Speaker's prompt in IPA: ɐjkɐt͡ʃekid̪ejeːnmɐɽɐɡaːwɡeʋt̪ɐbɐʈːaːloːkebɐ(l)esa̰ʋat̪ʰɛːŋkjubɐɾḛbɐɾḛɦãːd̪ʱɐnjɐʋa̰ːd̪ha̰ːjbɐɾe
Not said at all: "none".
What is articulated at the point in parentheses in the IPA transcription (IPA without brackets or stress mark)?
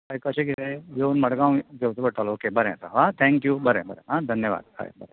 ɾ